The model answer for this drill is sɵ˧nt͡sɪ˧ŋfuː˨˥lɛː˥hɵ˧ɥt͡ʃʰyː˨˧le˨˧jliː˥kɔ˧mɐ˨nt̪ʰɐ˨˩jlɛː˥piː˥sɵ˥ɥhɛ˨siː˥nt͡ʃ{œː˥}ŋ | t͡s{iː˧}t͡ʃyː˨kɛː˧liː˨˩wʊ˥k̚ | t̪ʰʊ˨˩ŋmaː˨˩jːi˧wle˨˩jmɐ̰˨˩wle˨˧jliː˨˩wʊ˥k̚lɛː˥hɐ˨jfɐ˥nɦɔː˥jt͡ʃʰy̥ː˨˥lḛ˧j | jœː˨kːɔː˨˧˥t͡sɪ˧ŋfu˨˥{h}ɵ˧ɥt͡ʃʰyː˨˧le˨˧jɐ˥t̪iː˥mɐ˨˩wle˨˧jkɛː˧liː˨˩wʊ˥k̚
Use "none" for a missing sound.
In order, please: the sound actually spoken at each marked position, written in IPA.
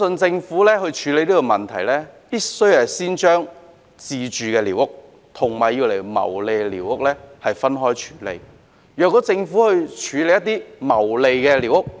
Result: œː˥, iː˧, h

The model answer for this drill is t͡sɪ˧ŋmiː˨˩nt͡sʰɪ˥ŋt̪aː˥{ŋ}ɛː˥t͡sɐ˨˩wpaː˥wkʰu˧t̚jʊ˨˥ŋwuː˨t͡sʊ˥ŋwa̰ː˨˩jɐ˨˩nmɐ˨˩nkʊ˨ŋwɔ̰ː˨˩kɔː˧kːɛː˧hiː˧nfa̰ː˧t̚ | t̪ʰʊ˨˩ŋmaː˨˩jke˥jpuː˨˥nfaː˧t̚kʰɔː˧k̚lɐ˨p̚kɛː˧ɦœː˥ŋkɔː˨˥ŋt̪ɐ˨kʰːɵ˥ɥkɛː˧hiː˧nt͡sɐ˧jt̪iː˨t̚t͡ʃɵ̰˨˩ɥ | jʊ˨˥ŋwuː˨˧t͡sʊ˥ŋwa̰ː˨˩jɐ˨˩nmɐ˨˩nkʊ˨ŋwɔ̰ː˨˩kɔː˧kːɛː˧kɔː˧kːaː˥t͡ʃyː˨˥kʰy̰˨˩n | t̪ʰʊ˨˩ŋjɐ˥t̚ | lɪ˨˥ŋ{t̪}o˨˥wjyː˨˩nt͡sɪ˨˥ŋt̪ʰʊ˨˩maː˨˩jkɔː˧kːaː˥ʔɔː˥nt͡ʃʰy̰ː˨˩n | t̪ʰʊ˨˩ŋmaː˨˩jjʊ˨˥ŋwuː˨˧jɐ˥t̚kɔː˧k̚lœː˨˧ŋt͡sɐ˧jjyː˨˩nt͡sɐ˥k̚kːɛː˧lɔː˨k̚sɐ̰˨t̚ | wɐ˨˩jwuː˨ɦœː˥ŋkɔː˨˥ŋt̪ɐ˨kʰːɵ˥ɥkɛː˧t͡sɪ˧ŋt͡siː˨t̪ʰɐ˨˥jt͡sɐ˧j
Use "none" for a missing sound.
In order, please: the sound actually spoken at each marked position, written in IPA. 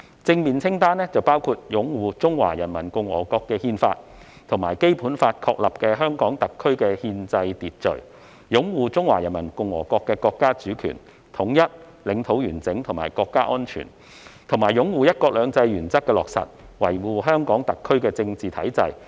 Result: n, t̪ʰ

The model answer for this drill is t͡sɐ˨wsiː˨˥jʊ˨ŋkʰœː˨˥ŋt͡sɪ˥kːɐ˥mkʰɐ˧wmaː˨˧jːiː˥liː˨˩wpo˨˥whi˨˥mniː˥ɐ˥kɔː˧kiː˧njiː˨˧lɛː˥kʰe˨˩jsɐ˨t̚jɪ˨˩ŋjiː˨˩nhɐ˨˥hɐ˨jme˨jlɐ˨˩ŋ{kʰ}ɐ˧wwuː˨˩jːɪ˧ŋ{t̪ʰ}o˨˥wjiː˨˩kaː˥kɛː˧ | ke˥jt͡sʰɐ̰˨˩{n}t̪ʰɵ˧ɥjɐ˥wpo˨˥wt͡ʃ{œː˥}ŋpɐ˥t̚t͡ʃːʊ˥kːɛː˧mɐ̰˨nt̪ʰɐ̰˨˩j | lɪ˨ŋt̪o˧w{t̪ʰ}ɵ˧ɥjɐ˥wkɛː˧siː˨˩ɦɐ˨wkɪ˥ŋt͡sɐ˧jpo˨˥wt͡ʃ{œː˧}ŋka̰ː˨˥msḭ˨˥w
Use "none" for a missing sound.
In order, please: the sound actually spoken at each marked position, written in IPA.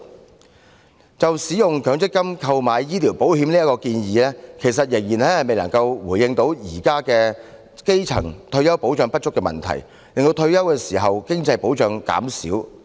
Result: k, t̪, ŋ, œː˧, t̪ʰ, œː˧

